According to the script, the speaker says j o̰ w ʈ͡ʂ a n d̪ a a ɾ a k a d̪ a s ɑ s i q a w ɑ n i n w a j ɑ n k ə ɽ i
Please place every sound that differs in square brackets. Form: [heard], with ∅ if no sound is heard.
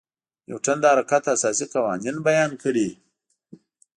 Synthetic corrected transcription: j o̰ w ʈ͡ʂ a n d̪ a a ɾ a k a [t̪] a s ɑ s i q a w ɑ n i n [b] a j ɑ n k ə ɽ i